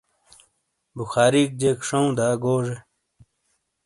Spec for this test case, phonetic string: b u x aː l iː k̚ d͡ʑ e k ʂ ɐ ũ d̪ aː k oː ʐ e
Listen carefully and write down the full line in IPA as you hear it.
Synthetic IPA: b u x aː ɾ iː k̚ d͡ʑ e k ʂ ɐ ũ d̪ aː ɡ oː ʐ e